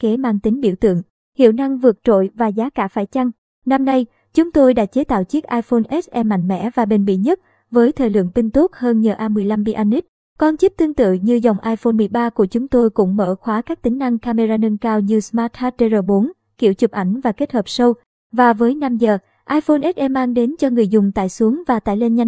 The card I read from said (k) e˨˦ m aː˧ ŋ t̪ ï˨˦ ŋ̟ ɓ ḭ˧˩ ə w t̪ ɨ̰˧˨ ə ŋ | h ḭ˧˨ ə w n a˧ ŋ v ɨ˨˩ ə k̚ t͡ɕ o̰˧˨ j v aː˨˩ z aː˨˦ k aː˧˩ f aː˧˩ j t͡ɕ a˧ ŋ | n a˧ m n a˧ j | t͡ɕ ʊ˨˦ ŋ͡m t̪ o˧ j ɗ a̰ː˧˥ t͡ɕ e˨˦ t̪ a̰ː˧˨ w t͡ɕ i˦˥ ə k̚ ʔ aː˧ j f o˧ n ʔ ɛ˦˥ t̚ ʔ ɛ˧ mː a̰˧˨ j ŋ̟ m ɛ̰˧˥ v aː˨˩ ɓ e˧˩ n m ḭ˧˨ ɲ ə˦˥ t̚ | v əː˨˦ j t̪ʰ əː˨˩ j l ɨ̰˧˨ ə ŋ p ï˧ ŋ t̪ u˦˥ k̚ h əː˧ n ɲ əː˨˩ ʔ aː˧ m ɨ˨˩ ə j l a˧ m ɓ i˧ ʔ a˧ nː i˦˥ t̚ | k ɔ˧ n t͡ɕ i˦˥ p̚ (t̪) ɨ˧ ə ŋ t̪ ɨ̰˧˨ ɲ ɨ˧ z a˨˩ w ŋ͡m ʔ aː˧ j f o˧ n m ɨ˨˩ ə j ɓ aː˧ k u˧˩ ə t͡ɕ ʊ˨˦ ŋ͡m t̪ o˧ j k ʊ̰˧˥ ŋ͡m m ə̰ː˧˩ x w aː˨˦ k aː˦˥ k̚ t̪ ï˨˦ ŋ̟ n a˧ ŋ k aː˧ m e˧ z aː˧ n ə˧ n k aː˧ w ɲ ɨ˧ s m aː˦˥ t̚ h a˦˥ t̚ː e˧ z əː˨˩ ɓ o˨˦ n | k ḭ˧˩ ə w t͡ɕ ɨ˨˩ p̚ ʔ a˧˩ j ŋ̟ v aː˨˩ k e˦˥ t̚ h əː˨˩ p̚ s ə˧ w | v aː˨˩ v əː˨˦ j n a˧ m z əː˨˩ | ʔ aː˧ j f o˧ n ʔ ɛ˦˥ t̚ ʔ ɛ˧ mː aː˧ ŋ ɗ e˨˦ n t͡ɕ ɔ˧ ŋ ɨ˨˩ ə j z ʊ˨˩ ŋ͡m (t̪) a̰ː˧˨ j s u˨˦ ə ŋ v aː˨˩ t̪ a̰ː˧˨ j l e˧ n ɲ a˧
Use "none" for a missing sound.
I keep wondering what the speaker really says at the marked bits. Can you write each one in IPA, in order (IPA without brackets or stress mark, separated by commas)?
k, t̪, t̪